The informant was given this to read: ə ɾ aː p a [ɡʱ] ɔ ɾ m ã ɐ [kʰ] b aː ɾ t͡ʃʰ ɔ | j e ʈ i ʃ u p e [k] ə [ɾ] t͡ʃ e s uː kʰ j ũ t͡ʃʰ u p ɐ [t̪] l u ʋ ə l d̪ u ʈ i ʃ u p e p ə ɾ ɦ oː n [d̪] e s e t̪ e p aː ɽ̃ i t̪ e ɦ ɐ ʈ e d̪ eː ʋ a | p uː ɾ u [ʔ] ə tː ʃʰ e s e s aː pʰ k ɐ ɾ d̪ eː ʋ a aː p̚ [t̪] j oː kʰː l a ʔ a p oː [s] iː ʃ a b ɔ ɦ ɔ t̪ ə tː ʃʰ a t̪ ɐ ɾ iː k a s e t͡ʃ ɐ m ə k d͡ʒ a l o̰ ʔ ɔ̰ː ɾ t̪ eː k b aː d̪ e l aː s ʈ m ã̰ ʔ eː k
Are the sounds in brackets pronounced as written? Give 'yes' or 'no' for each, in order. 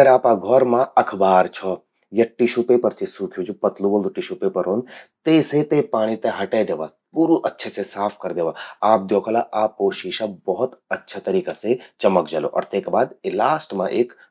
yes, yes, no, yes, yes, no, yes, no, no

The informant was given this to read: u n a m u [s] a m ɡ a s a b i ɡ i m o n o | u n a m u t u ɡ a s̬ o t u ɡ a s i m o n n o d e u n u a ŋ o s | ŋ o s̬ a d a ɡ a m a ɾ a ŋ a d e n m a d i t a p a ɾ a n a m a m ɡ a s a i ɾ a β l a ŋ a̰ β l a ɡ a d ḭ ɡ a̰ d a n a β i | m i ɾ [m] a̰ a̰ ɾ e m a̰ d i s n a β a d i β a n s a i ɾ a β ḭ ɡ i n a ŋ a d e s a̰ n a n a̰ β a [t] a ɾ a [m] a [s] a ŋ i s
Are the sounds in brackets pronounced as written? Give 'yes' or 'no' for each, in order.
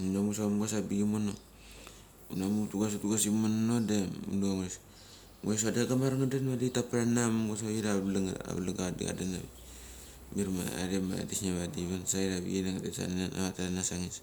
yes, yes, yes, no, yes

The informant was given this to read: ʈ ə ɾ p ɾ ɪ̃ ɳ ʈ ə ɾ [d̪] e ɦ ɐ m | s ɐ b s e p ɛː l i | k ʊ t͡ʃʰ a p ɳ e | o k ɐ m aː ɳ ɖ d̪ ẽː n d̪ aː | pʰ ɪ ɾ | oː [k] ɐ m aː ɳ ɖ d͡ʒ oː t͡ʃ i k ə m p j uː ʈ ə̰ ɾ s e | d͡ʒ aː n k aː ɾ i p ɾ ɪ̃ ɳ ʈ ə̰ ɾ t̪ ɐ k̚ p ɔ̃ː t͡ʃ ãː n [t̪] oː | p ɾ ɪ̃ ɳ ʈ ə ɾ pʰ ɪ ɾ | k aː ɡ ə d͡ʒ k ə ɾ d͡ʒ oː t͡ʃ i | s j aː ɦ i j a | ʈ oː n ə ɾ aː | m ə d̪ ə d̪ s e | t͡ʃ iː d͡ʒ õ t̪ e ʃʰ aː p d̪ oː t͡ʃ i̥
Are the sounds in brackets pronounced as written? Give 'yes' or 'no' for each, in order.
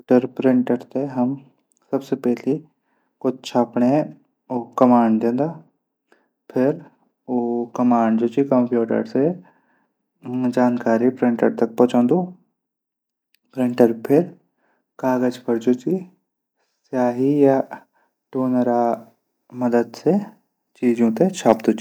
no, yes, no

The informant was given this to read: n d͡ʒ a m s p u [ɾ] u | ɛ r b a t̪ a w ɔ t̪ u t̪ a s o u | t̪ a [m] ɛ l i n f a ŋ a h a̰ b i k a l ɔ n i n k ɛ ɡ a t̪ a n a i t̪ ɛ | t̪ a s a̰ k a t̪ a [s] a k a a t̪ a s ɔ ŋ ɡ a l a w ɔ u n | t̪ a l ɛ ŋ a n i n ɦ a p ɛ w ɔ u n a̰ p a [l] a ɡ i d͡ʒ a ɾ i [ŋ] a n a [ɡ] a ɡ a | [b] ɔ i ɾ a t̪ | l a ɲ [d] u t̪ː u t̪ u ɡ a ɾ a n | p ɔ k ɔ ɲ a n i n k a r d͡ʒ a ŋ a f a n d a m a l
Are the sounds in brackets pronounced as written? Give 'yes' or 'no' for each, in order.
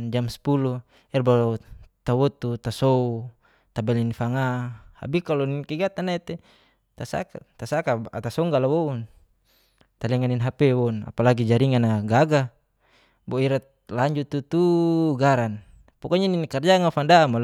no, no, yes, yes, yes, yes, yes, no

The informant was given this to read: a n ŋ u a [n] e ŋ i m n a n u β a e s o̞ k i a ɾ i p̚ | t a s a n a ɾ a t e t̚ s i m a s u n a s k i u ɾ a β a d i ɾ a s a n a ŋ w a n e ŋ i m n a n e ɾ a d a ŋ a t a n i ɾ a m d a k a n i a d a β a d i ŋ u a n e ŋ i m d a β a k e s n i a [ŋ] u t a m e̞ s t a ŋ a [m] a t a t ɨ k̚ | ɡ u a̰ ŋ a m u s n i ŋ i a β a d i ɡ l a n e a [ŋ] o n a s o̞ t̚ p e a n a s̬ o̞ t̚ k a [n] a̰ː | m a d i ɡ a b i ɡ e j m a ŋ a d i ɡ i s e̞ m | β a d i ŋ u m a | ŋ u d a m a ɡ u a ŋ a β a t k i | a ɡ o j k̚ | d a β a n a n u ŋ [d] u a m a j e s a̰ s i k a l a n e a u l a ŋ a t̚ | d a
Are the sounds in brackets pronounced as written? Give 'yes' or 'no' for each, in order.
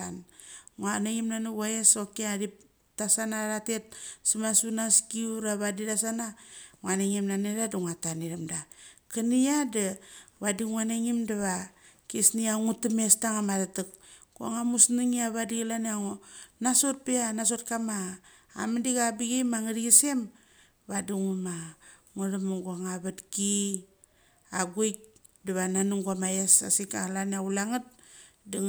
yes, yes, yes, yes, no, no

